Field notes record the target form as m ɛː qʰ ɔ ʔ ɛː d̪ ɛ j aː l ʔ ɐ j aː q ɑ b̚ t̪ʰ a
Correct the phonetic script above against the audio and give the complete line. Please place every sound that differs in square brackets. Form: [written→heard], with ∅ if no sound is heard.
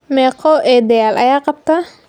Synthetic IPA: m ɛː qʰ ɔ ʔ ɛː d̪ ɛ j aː l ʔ ɐ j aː q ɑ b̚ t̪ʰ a